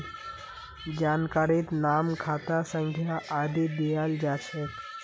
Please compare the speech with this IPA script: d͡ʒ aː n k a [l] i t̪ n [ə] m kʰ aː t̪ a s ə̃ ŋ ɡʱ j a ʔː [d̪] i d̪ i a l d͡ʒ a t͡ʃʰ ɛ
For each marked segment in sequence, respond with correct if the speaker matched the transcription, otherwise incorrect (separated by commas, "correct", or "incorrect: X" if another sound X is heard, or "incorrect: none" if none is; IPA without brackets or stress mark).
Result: incorrect: ɾ, incorrect: a, correct